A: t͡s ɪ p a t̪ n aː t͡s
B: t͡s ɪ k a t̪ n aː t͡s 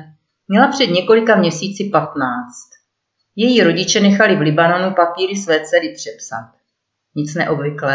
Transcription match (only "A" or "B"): A